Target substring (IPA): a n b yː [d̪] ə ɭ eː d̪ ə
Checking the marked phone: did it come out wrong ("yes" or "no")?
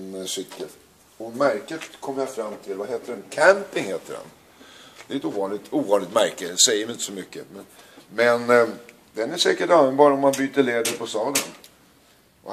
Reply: yes